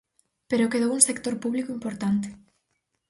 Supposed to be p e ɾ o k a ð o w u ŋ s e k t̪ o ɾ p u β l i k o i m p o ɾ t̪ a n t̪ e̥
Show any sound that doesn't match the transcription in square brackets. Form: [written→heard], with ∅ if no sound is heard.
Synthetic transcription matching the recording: p e ɾ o k [a→e] ð o w u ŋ s e k t̪ o ɾ p u β l i k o i m p o ɾ t̪ a n t̪ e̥